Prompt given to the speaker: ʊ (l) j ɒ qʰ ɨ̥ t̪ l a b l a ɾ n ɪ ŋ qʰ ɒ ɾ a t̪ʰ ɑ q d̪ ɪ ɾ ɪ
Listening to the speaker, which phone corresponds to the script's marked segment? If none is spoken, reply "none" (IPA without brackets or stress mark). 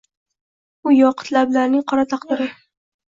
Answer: none